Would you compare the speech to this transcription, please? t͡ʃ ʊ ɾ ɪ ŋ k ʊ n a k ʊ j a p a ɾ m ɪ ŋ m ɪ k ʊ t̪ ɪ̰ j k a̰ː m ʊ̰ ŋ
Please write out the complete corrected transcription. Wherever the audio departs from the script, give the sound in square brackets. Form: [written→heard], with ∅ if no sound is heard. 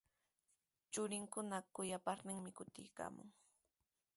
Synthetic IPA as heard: t͡ʃ ʊ ɾ ɪ ŋ k ʊ n a k ʊ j a p a ɾ [m→n] ɪ ŋ m ɪ k ʊ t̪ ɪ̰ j k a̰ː m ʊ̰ ŋ

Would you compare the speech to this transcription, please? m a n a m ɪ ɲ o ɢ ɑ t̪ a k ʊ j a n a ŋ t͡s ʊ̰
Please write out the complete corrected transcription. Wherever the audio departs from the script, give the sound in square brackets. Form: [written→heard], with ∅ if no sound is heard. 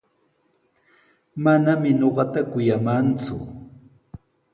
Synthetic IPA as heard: m a n a m ɪ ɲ o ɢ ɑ t̪ a k ʊ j a [n→m] a [ŋ→n] t͡s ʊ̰

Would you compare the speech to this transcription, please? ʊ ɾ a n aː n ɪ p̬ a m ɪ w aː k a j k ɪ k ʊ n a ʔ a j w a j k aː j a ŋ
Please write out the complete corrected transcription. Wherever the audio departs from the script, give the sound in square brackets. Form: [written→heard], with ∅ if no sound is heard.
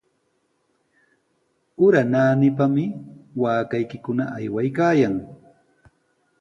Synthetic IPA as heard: ʊ ɾ a n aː n ɪ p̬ a m ɪ w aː k a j k ɪ k ʊ n a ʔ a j w a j k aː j a ŋ

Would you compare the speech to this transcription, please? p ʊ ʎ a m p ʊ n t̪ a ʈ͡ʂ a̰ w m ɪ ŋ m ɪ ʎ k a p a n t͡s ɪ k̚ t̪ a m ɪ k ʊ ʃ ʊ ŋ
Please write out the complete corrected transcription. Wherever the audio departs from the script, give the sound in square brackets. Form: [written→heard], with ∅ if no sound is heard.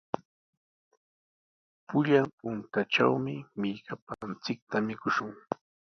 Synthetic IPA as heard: p ʊ ʎ a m p ʊ n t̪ a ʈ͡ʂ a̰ w m ɪ [ŋ→∅] m ɪ ʎ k a p a n t͡s ɪ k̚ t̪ a m ɪ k ʊ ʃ ʊ ŋ

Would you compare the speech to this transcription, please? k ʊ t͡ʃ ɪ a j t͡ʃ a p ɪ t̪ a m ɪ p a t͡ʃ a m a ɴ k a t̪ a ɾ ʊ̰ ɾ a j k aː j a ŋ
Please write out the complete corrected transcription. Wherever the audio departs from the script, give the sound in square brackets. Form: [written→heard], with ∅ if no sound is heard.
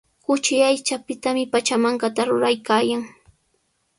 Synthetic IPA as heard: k ʊ t͡ʃ ɪ a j t͡ʃ a p ɪ t̪ a m ɪ p a t͡ʃ a m a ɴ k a t̪ a ɾ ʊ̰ ɾ a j k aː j a ŋ

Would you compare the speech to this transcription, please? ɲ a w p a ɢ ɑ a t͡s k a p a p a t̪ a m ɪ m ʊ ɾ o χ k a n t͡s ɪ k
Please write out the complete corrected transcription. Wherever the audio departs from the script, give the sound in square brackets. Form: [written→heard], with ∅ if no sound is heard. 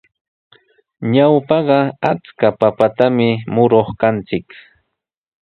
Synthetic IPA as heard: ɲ a w p [a→ɑ] ɢ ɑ a t͡s k a p a p a t̪ a m ɪ m ʊ ɾ o χ k a n t͡s ɪ k

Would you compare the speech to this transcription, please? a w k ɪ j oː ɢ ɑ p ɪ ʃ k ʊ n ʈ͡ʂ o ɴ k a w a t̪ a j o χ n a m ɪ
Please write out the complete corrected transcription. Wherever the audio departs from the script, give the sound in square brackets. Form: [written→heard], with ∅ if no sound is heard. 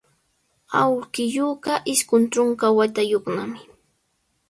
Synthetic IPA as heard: a w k ɪ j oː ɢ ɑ [p→ʔ] ɪ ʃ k ʊ n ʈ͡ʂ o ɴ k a w a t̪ a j o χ n a m ɪ

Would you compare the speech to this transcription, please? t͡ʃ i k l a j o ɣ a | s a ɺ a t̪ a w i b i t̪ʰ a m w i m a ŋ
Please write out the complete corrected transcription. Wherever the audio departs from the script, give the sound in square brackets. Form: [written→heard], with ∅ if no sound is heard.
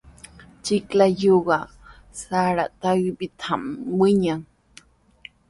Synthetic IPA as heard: t͡ʃ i k l a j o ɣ a | s a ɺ a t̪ a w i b i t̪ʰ a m w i [m→ɲ] a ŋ

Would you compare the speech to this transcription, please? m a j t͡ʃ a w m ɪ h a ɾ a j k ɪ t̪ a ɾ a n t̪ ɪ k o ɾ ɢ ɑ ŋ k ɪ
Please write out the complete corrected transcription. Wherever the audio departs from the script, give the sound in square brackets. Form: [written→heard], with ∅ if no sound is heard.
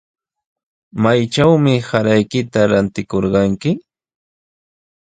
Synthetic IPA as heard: m a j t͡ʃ a w m ɪ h a ɾ a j k ɪ t̪ a ɾ a n t̪ ɪ k o ɾ ɢ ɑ ŋ k ɪ

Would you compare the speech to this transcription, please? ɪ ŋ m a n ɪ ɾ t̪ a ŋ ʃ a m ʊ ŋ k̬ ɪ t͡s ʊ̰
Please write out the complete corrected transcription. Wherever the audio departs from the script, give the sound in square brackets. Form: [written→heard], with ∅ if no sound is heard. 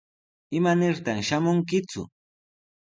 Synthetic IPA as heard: ɪ [ŋ→∅] m a n ɪ ɾ t̪ a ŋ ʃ a m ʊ ŋ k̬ ɪ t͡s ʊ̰

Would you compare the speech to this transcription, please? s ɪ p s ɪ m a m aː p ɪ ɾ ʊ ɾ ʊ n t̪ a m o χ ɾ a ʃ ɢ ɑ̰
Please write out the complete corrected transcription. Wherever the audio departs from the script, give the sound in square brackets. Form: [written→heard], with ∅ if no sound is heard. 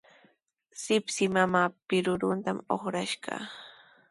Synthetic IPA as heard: s ɪ p s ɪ m a m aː p ɪ ɾ ʊ ɾ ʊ n t̪ a m o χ ɾ a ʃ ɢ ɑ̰

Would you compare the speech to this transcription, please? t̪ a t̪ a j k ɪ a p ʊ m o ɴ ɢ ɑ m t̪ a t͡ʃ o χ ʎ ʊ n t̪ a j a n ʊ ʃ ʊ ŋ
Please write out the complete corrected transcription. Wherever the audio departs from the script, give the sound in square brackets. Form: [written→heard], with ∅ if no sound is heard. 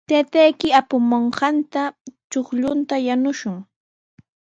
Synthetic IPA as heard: t̪ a t̪ a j k ɪ a p ʊ m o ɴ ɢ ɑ [m→n] t̪ a t͡ʃ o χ ʎ ʊ n t̪ a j a n ʊ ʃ ʊ ŋ

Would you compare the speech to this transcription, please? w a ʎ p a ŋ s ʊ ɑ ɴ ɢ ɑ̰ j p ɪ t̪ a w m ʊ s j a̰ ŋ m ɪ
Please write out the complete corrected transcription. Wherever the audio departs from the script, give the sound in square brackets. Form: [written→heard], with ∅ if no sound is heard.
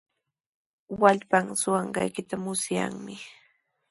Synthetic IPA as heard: w a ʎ p a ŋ s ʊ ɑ ɴ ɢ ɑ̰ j [p→k] ɪ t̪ a [w→∅] m ʊ s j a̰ ŋ m ɪ

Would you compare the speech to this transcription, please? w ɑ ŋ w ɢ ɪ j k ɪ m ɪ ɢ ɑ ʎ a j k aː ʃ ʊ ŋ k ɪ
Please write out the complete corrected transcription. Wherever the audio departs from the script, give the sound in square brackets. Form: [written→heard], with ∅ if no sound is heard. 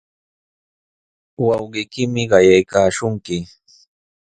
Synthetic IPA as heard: w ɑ [ŋ→∅] w ɢ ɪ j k ɪ m ɪ ɢ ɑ [ʎ→j] a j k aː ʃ ʊ ŋ k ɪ

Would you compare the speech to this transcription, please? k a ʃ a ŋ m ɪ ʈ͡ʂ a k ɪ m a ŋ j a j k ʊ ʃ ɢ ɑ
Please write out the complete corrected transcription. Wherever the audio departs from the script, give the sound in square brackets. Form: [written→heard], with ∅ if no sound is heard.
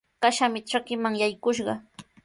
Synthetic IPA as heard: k a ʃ a [ŋ→∅] m ɪ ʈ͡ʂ a k ɪ m a ŋ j a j k ʊ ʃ ɢ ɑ

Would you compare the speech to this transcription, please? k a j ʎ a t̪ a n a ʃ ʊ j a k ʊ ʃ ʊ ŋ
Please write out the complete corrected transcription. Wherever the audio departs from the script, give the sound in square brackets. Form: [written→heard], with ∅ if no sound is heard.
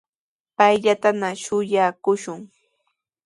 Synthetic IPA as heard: [k→p] a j ʎ a t̪ a n a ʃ ʊ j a k ʊ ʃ ʊ ŋ

